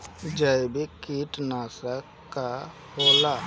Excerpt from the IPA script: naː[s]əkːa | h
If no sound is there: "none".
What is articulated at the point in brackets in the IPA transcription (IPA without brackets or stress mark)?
s